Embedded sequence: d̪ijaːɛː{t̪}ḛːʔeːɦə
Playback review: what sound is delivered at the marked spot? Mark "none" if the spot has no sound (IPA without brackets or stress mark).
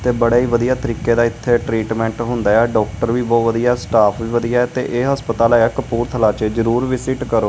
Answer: t̪